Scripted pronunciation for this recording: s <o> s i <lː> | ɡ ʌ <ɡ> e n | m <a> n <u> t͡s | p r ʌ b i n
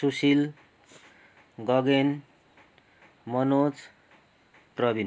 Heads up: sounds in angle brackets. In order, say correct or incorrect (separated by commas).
incorrect, incorrect, correct, incorrect, incorrect